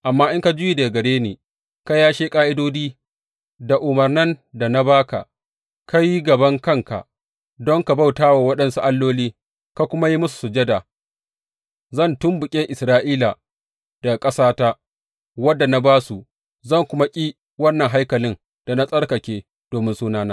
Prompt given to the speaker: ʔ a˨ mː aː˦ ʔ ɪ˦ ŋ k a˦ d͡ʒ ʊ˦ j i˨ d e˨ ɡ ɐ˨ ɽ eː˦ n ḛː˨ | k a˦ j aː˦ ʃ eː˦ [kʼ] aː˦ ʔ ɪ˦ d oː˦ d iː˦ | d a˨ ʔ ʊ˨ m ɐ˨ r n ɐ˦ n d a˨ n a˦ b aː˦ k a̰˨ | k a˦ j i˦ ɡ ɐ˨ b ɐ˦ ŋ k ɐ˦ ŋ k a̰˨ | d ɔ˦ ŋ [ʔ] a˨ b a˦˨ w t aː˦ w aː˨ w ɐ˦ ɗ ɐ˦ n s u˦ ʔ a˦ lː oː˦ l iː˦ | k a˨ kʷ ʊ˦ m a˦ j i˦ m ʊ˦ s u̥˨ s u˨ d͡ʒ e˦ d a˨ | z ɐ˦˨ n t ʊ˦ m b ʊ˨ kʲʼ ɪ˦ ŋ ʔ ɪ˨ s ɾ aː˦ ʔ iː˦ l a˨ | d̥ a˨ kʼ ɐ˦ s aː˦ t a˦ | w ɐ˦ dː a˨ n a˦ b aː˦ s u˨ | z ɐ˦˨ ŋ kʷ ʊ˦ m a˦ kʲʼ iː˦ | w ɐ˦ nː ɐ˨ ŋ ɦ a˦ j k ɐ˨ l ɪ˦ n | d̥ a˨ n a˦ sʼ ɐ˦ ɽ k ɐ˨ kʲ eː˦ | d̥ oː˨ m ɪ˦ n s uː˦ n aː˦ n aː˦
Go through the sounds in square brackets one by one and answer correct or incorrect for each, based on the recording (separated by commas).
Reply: correct, incorrect